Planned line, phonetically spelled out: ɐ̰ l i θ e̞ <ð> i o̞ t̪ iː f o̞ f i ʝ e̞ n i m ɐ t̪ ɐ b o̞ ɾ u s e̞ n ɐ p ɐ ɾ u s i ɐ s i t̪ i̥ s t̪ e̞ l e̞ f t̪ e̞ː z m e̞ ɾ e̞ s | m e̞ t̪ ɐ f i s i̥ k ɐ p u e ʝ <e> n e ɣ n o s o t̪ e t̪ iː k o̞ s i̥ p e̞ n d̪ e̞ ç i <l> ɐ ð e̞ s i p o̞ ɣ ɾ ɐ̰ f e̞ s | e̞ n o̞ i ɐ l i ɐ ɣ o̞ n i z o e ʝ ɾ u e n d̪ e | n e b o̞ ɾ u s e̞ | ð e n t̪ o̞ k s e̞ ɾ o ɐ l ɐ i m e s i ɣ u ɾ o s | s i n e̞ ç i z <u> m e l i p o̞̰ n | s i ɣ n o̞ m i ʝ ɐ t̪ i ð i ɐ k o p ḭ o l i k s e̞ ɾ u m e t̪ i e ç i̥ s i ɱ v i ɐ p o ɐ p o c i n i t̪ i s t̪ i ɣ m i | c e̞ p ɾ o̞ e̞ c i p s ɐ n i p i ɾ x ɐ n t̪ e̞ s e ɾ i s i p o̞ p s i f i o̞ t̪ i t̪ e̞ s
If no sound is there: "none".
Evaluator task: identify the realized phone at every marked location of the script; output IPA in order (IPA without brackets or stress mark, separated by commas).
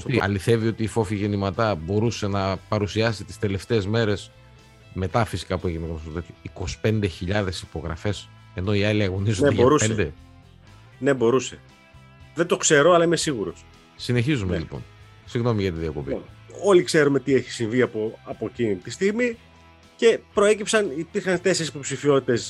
v, i, ʎ, u